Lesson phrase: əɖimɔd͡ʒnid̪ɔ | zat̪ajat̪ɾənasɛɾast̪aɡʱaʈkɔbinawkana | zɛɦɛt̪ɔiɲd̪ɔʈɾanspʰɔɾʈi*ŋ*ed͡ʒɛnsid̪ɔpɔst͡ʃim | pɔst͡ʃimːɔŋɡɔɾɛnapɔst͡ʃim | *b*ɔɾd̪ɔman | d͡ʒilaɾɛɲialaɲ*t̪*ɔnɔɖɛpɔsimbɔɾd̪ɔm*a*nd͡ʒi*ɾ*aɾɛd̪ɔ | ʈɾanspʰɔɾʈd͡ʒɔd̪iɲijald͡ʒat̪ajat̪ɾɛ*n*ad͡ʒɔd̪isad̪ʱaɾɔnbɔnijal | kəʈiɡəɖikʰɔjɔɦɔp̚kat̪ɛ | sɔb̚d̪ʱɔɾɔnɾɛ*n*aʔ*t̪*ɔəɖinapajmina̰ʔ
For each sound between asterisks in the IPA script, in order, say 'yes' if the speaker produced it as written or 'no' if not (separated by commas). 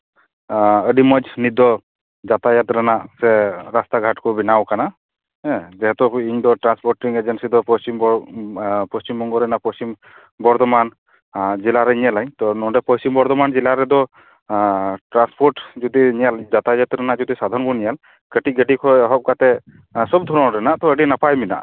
yes, yes, yes, yes, no, yes, yes, yes